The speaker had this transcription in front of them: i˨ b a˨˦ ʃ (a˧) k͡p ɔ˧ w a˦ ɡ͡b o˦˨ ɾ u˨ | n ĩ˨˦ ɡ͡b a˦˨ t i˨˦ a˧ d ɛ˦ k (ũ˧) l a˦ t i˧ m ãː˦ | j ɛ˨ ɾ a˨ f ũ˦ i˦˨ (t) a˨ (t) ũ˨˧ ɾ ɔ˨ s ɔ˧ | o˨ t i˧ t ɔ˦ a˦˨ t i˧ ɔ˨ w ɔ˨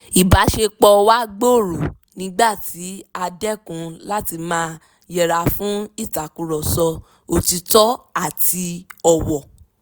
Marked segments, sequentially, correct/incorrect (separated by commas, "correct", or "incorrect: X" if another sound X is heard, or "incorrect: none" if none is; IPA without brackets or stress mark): incorrect: e˧, correct, correct, incorrect: k